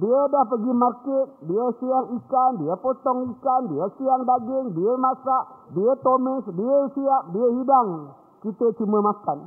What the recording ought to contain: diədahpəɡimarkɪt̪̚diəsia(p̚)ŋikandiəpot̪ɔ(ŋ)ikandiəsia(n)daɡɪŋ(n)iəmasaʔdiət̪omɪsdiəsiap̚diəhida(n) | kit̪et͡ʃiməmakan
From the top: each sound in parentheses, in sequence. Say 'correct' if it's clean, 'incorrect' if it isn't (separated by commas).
incorrect, correct, incorrect, incorrect, incorrect